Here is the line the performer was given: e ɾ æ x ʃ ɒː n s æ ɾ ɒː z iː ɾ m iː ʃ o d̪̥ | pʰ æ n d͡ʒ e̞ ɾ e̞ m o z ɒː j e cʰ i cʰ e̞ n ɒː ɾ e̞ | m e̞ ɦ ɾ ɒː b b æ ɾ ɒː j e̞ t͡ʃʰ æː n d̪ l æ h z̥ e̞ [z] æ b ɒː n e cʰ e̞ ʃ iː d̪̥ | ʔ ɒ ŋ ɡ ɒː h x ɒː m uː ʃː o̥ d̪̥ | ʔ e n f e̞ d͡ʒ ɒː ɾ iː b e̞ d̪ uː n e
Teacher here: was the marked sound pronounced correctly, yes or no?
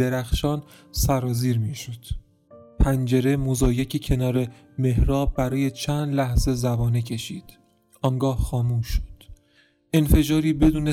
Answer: yes